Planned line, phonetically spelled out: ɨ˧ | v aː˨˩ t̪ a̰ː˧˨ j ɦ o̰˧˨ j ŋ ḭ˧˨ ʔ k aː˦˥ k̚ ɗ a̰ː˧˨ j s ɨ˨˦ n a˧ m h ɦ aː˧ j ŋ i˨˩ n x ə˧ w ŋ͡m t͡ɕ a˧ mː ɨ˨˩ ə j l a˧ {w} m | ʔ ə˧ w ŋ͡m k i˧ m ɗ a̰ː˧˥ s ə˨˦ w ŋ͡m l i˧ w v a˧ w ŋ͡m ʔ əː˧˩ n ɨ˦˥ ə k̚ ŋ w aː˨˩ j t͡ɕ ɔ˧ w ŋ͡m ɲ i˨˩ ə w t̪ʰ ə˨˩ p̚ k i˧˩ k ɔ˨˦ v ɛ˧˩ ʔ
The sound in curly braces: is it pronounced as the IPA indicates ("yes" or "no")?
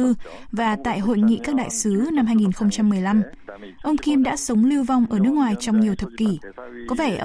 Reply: no